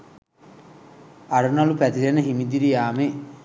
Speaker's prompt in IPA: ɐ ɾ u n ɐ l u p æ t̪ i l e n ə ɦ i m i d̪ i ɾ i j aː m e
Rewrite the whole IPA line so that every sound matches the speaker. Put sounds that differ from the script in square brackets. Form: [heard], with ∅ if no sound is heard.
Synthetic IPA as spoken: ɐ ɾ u n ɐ l u p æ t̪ i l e n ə ɦ i m i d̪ i ɾ i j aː m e